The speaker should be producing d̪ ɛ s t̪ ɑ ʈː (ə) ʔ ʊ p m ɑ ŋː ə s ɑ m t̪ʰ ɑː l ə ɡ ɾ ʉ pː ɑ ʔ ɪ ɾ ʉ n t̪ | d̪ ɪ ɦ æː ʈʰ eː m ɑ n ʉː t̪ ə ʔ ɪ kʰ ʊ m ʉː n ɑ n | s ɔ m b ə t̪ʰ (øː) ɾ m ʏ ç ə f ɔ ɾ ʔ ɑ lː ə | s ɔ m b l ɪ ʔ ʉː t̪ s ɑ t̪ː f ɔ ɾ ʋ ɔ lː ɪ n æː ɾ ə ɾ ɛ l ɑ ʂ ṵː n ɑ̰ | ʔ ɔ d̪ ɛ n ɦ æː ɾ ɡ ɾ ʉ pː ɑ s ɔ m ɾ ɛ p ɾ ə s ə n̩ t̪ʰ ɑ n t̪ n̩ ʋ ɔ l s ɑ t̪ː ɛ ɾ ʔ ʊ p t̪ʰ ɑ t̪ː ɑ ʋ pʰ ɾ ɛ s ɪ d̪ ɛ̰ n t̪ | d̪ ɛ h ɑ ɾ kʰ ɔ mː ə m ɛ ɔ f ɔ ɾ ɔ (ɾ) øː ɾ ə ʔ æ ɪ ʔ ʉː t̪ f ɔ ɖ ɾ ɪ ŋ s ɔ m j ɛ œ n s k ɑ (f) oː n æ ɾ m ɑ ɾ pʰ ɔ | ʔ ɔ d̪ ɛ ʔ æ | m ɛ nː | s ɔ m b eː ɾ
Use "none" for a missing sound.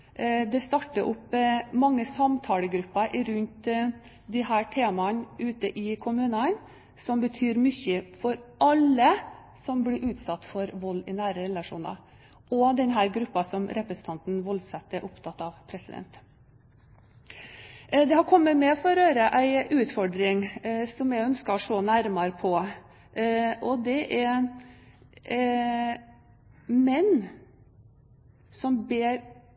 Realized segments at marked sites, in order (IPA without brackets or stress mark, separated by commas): ə, yː, ɾ, ʂ